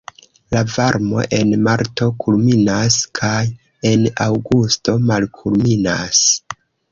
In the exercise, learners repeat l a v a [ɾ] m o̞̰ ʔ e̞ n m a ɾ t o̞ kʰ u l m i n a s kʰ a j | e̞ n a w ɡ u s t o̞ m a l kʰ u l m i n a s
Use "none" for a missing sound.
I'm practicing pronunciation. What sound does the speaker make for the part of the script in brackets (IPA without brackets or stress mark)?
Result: ɾ